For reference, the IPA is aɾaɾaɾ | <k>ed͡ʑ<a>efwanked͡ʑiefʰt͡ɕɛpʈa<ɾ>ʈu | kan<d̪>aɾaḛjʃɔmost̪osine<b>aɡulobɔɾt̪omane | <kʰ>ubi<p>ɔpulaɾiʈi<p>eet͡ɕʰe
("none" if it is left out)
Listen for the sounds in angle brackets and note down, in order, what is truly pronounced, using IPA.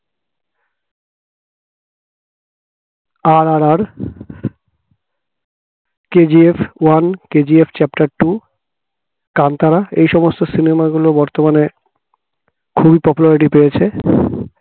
k, i, ɾ, t̪, m, kʰ, p, p

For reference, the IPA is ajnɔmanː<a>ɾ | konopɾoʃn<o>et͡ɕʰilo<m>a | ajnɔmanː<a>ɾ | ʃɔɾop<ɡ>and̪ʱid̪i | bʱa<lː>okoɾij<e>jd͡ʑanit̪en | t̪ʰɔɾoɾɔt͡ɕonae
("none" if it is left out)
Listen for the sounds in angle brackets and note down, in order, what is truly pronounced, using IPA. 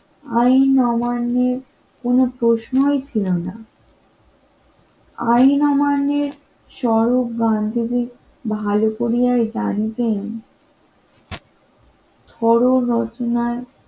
e, o, n, e, ɡ, l, a

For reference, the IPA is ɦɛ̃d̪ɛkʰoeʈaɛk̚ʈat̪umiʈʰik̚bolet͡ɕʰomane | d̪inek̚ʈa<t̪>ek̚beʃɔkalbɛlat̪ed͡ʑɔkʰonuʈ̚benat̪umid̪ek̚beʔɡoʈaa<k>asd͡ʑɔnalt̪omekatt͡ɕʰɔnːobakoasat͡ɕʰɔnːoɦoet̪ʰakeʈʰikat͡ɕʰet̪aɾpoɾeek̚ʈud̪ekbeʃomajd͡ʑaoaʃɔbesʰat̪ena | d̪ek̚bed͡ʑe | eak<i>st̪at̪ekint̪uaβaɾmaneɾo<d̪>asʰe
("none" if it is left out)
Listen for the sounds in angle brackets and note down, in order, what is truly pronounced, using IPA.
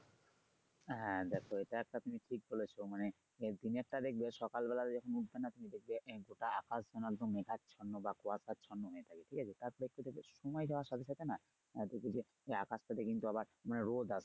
d̪, k, a, d̪

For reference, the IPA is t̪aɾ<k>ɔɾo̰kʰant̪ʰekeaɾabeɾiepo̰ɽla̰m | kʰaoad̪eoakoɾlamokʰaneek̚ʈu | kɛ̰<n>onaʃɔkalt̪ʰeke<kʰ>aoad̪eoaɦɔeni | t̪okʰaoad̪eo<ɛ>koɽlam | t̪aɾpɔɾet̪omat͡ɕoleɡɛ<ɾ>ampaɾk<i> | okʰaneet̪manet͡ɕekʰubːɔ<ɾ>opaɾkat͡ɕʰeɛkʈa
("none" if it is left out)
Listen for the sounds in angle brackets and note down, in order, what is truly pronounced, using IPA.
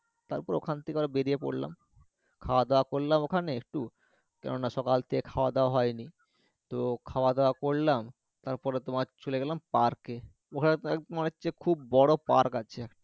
p, n, kʰ, a, l, e, ɽ

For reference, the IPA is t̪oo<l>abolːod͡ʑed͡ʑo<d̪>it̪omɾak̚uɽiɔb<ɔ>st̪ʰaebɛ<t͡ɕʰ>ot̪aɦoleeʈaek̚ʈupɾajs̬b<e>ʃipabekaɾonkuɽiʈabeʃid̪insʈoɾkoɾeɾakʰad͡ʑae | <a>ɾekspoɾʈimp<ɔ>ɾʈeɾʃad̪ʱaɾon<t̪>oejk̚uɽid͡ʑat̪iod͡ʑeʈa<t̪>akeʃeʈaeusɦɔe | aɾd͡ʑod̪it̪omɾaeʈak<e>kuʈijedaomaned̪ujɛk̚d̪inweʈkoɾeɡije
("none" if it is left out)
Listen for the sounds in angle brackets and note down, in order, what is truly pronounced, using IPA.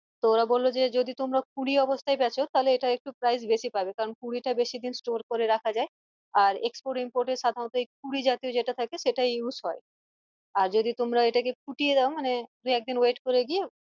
ɾ, d̪, o, t͡ɕʰ, e, a, o, t̪, t̪ʰ, e

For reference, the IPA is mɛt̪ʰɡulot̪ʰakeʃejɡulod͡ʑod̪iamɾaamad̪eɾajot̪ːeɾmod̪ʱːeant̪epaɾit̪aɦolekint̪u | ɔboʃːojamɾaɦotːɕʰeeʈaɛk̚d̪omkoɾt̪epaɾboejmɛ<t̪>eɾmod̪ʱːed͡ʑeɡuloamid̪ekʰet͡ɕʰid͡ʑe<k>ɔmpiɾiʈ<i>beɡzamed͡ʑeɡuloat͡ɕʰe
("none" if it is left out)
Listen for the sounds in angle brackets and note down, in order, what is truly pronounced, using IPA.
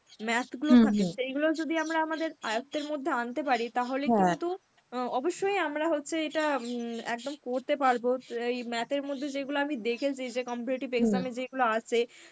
t̪, k, i

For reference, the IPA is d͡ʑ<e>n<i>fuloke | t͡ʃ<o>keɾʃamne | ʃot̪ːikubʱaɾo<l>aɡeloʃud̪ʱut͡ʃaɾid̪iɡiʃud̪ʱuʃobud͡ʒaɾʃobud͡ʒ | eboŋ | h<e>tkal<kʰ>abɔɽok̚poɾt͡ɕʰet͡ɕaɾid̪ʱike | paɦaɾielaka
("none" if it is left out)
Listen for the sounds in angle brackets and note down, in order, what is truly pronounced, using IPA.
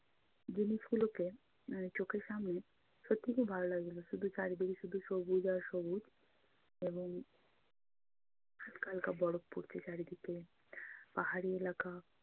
i, i, o, l, a, k

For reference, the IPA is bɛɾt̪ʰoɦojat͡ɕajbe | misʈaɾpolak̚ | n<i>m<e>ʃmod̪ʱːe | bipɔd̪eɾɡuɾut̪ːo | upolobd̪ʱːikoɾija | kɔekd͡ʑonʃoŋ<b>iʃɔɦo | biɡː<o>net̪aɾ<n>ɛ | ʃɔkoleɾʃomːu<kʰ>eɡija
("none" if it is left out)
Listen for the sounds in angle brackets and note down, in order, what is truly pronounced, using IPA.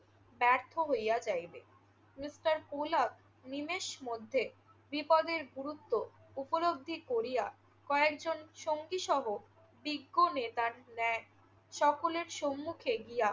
i, e, ɡ, o, n, kʰ

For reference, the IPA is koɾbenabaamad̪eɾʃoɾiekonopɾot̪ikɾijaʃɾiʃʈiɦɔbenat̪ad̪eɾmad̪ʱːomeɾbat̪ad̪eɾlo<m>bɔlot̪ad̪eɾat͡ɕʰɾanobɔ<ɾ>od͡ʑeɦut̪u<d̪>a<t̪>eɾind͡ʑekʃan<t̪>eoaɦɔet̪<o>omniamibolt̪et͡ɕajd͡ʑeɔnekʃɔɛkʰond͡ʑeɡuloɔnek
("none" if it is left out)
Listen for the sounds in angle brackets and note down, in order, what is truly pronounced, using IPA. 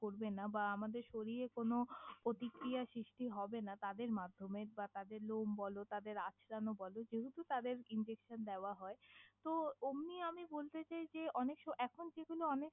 m, l, t̪, d̪, d̪, o

